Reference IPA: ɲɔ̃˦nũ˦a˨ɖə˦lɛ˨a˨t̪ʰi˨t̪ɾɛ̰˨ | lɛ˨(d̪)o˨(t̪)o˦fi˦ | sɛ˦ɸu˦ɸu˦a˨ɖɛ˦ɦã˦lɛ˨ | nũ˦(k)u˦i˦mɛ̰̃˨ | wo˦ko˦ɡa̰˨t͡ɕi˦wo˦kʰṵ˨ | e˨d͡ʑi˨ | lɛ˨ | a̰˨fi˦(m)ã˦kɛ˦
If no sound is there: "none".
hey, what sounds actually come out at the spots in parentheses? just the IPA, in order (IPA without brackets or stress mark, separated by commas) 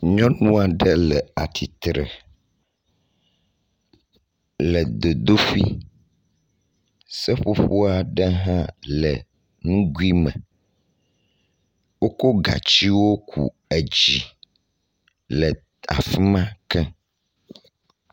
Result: d̪, d̪, ɡ, m